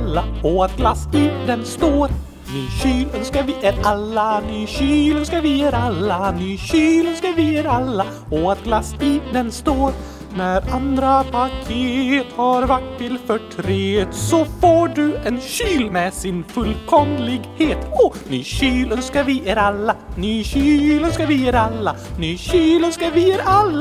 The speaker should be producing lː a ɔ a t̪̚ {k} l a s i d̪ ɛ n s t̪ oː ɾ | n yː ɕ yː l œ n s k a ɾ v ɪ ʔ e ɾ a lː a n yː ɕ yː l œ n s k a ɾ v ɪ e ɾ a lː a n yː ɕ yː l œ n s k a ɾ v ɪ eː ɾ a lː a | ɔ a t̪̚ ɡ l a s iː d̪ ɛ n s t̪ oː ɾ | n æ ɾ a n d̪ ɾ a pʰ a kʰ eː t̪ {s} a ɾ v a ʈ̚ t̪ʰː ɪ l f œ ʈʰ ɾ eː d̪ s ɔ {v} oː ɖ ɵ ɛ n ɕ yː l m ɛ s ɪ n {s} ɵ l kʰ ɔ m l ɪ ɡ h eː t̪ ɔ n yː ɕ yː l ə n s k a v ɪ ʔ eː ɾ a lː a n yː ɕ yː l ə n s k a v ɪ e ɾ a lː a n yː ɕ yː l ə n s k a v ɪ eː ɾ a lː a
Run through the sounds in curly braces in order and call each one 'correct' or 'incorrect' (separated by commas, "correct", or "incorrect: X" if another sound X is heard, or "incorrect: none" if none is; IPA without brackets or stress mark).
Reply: incorrect: ɡ, incorrect: h, incorrect: f, incorrect: f